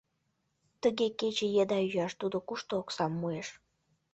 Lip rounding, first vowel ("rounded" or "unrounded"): unrounded